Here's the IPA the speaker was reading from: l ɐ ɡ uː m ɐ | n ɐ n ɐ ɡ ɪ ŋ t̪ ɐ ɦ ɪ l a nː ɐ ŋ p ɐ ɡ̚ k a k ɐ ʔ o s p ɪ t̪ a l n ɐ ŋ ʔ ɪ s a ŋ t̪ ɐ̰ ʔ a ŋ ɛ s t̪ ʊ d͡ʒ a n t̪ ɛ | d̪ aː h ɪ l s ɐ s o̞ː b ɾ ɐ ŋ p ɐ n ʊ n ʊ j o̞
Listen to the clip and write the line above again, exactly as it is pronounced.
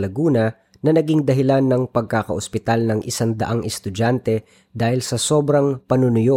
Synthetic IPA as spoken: l ɐ ɡ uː n ɐ | n ɐ n ɐ ɡ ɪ ŋ d̪ ɐ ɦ ɪ l a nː ɐ ŋ p ɐ ɡ̚ k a k ɐ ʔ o s p ɪ t̪ a l n ɐ ŋ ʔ ɪ s a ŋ d̪ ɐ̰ ʔ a ŋ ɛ s t̪ ʊ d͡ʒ a n t̪ ɛ | d̪ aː h ɪ l s ɐ s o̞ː b ɾ ɐ ŋ p ɐ n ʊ n ʊ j o̞